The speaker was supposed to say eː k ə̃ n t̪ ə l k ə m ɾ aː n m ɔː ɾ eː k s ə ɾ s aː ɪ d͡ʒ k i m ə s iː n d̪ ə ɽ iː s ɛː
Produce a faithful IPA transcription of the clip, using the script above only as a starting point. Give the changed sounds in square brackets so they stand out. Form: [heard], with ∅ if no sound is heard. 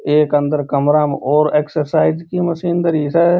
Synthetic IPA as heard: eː k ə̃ n [d̪] ə [ɾ] k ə m ɾ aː [∅] m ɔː ɾ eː k s ə ɾ s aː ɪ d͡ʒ k i m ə s iː n d̪ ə [ɾ] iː s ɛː

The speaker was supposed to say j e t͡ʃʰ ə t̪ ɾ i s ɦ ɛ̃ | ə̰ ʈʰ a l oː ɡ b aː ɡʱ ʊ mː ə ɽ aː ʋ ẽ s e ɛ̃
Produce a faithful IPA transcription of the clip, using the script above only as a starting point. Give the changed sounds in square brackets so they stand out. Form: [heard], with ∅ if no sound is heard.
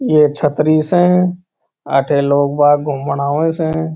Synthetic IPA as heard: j e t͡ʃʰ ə t̪ ɾ i s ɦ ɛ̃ | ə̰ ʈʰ [e] l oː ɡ b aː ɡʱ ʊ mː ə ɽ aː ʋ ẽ s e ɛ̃

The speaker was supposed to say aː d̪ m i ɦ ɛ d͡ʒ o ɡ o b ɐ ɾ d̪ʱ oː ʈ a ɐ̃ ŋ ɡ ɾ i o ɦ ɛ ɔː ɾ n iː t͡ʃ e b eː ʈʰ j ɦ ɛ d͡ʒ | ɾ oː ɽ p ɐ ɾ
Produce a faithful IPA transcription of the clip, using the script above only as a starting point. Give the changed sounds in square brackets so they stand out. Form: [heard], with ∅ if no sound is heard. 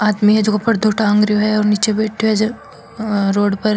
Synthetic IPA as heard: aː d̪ m i ɦ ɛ d͡ʒ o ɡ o [p] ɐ ɾ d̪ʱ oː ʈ a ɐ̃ ŋ ɡ ɾ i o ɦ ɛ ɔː ɾ n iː t͡ʃ e b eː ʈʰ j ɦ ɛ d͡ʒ | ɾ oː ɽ p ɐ ɾ

